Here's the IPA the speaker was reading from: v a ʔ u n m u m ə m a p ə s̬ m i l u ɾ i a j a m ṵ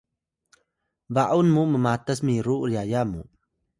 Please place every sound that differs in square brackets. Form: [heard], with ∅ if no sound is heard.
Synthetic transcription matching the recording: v a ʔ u n m u m ə m a [t] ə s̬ m i [ɾ] u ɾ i a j a m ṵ